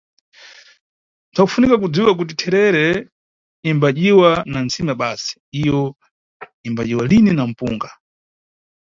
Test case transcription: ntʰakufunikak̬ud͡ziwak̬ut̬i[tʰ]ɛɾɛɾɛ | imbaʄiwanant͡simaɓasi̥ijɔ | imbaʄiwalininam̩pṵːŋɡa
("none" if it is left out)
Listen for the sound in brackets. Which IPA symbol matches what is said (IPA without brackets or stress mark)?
tʰ